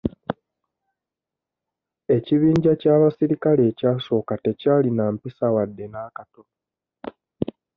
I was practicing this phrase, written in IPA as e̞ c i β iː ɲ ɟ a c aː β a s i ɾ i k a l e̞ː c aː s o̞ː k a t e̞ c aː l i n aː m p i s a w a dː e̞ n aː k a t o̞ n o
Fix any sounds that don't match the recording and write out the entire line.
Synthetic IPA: e̞ c i β iː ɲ ɟ a c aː β a s i ɾ i k a l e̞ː c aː s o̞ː k a t e̞ c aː l i n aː m p i s a w a dː e̞ n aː k a t o̞ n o